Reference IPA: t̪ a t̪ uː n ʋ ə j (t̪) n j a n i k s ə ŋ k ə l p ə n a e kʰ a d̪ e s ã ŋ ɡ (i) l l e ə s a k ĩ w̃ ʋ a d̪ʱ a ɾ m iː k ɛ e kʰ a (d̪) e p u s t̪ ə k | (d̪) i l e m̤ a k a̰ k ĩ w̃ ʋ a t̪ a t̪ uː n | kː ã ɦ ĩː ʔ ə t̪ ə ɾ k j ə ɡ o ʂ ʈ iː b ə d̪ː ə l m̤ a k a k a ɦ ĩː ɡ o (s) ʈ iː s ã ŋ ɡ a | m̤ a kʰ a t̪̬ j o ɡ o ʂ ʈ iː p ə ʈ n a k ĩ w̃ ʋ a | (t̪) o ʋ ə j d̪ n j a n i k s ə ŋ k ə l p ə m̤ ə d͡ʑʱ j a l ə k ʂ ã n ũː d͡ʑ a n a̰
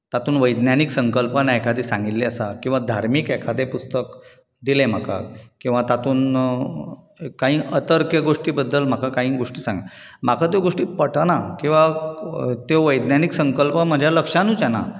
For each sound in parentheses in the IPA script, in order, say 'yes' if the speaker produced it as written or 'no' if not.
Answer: no, yes, yes, yes, no, yes

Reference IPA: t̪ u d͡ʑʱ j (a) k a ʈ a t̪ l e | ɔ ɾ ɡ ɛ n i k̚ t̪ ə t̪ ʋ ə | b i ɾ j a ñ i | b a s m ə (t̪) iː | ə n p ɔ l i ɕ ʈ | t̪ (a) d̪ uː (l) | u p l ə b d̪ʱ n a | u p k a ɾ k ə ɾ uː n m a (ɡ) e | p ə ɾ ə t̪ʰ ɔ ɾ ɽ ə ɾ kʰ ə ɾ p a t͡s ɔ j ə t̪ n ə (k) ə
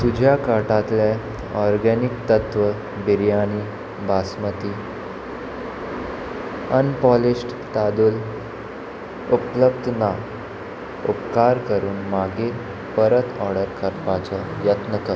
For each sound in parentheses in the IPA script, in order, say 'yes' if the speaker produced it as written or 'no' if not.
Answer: yes, yes, yes, yes, yes, yes

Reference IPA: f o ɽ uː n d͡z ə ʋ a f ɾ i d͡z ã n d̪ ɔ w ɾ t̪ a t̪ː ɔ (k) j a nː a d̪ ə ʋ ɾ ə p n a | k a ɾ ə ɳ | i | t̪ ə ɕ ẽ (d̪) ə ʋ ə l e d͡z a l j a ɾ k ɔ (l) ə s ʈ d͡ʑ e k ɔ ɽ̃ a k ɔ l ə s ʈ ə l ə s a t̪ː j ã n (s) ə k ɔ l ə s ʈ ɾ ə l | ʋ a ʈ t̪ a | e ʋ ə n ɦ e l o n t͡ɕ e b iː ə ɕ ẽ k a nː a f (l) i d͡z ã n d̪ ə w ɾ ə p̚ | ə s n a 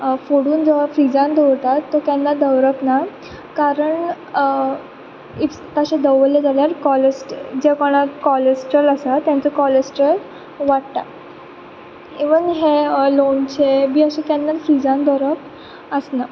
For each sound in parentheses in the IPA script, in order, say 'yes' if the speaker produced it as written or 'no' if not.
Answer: yes, yes, yes, no, no

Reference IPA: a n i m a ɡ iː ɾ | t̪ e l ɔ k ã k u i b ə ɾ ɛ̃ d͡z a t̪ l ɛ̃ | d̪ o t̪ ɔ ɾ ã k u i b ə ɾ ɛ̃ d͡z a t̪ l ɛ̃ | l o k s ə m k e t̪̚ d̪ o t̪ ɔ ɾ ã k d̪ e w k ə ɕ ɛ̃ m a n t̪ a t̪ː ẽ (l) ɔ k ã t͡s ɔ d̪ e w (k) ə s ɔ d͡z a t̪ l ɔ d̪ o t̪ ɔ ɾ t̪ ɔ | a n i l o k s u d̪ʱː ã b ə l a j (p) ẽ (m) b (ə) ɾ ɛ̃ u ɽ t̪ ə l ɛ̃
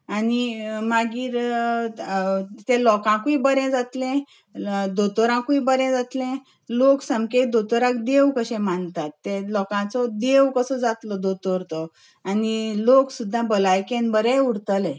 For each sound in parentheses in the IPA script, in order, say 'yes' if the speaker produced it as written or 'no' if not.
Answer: yes, yes, no, no, yes

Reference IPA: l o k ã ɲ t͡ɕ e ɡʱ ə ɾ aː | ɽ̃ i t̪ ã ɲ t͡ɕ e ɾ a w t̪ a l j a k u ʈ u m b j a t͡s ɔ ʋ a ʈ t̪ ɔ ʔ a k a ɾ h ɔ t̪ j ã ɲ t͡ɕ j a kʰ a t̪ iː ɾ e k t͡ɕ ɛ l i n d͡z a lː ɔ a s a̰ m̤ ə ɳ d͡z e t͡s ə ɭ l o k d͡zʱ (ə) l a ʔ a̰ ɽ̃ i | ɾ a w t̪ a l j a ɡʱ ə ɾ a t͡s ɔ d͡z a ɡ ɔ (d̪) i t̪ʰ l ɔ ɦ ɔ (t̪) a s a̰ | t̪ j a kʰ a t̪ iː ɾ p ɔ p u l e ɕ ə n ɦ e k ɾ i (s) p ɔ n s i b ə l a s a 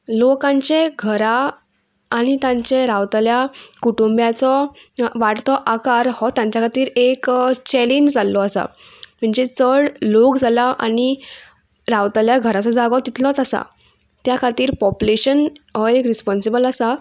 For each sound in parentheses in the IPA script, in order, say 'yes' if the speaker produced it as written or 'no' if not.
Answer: no, no, yes, yes

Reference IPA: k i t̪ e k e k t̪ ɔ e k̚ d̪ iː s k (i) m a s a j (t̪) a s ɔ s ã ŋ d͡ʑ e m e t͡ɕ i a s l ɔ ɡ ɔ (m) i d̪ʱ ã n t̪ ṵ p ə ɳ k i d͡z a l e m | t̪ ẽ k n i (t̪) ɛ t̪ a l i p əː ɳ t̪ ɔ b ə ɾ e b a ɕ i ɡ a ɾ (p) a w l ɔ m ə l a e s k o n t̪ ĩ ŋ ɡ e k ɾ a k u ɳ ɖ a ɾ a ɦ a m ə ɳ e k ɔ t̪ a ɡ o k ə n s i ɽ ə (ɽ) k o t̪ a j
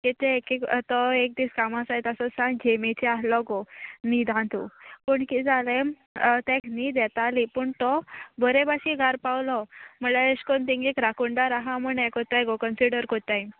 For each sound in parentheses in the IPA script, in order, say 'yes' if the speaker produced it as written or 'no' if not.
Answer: no, yes, no, no, yes, no

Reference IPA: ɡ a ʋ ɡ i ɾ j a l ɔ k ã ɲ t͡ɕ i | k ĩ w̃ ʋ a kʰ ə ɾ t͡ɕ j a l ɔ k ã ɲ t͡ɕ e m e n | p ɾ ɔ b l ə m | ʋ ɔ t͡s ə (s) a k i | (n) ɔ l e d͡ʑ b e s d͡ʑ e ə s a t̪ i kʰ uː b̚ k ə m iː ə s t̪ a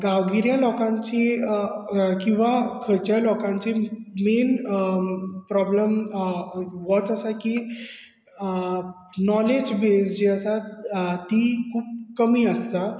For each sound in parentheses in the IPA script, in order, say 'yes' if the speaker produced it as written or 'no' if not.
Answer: yes, yes

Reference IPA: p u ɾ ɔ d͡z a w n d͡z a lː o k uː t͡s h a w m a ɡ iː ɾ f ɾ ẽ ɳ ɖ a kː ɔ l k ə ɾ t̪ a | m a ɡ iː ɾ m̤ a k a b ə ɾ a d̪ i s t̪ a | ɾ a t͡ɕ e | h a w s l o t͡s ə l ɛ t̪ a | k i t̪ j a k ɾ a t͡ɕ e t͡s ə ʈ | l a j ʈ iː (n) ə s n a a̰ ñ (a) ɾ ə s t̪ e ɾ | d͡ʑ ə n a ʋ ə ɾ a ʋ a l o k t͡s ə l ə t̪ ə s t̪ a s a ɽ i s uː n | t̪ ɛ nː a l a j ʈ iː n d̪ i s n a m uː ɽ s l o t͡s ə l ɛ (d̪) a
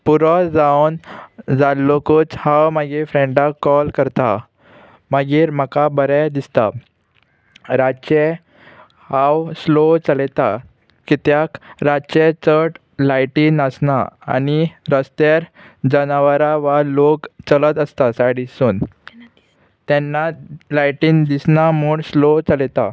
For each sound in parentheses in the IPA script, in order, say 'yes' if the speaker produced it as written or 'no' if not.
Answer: yes, no, no

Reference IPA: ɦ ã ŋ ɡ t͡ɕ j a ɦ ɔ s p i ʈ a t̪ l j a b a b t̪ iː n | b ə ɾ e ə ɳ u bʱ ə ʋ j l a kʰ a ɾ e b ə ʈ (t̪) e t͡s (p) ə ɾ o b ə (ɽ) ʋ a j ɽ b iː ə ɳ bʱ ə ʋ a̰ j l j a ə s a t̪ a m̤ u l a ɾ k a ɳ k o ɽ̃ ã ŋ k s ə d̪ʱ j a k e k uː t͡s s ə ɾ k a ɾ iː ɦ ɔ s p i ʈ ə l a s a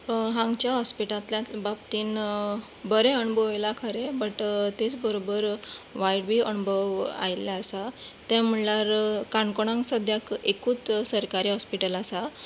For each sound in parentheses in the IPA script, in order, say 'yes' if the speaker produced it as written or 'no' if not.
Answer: yes, no, no

